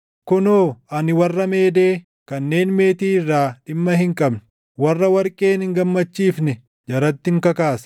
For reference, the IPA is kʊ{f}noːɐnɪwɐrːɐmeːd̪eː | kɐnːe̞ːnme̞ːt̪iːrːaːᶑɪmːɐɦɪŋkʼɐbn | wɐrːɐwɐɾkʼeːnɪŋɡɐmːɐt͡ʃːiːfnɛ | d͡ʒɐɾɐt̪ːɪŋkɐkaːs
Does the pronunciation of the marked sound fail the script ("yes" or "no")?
yes